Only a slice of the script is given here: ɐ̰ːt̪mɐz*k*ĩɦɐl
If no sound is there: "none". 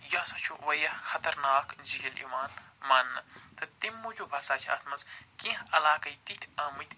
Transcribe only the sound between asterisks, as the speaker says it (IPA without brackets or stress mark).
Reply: k